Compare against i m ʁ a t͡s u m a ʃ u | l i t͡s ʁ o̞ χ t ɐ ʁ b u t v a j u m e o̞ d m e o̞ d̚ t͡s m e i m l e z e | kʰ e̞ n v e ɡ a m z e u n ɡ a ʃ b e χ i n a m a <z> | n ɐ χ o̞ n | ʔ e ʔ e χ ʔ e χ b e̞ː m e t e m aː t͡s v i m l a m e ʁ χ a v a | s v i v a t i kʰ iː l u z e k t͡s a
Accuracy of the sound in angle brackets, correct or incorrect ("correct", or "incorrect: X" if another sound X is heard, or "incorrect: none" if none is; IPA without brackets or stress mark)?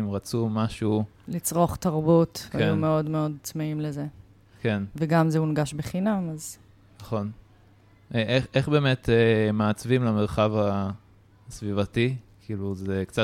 correct